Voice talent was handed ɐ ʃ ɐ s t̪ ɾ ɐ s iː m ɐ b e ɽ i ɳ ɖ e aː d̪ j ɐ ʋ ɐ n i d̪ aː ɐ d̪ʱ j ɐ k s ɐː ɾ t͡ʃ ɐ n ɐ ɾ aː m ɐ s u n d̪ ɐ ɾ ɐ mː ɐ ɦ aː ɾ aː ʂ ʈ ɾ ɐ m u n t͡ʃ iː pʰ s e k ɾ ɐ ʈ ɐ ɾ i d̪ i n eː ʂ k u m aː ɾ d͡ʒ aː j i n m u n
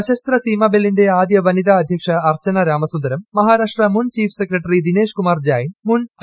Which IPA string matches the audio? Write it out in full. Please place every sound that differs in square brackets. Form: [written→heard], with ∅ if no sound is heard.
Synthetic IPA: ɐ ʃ ɐ s t̪ ɾ ɐ s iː m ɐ b e [ɽ→l] i ɳ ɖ e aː d̪ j ɐ ʋ ɐ n i d̪ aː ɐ d̪ʱ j ɐ k [s→ʂ] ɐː ɾ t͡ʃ ɐ n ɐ ɾ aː m ɐ s u n d̪ ɐ ɾ ɐ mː ɐ ɦ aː ɾ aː ʂ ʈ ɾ ɐ m u n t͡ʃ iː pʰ s e k ɾ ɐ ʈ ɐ ɾ i d̪ i n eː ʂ k u m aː ɾ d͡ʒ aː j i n m u n